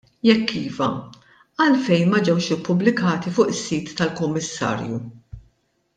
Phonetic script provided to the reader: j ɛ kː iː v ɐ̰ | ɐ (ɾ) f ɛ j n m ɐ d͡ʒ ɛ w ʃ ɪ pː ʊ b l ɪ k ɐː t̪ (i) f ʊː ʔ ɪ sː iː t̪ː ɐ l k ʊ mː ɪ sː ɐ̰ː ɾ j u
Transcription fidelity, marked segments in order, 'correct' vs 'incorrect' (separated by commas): incorrect, correct